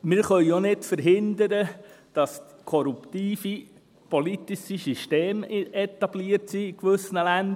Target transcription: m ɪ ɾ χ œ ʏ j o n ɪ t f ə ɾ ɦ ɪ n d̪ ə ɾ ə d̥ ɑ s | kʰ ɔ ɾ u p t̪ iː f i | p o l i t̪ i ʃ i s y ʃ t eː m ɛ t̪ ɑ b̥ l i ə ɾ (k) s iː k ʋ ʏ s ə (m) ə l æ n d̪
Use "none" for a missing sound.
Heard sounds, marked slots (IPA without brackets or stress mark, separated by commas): t, n